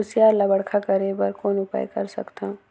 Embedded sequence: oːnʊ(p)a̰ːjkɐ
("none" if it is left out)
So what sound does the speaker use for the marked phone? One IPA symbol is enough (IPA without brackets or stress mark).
p